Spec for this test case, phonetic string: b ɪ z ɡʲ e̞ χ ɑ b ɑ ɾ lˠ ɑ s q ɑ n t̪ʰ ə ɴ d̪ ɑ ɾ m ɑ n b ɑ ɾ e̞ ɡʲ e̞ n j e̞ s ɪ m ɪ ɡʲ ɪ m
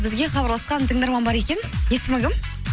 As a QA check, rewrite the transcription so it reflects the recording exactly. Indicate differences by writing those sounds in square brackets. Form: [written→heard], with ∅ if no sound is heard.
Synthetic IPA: b ɪ z ɡʲ e̞ χ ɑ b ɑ ɾ lˠ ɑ s q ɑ n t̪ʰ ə [ɴ→ŋ] d̪ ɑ ɾ m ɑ n b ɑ ɾ e̞ [ɡʲ→kʲ] e̞ n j e̞ s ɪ m ɪ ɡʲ ɪ m